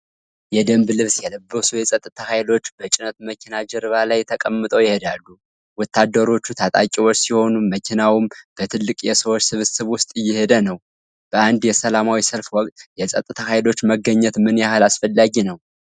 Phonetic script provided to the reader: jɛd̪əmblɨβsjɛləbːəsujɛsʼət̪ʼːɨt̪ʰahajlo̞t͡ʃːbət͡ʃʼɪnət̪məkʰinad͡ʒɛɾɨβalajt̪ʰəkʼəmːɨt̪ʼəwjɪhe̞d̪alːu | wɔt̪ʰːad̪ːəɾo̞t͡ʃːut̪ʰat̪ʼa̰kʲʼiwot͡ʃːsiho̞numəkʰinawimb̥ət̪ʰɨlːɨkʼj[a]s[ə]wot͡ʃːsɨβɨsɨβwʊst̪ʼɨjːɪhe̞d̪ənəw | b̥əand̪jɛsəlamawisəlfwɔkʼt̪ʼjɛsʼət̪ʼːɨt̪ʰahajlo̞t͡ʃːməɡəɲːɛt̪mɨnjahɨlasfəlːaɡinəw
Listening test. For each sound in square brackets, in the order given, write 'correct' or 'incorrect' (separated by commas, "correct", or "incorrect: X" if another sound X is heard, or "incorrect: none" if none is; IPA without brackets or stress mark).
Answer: incorrect: ɛ, correct